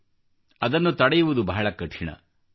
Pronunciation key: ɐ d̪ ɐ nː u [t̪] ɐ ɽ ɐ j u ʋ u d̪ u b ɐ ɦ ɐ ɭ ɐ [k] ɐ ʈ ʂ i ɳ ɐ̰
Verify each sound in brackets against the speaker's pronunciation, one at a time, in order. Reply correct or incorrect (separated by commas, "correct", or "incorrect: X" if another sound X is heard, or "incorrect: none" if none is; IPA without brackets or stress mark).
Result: correct, correct